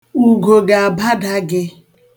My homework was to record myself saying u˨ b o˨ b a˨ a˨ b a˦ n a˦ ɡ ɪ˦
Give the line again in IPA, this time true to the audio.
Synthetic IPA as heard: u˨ ɡ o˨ ɡ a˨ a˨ b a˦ d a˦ ɡ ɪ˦